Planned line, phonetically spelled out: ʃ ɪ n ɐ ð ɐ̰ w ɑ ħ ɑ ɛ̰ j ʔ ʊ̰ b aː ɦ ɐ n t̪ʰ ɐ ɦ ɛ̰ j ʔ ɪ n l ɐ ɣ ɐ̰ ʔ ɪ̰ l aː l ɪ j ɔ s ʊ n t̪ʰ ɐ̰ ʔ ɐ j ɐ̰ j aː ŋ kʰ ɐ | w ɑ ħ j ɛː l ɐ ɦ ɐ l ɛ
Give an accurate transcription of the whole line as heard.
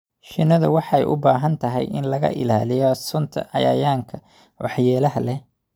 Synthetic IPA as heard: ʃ ɪ n ɐ ð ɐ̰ w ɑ ħ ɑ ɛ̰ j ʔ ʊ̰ b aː ɦ ɐ n t̪ʰ ɐ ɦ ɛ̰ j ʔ ɪ n l ɐ ɣ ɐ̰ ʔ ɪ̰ l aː l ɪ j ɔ s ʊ n t̪ʰ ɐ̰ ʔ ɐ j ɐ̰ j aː ŋ kʰ ɐ | w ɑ ħ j ɛː l ɐ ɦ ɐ l ɛ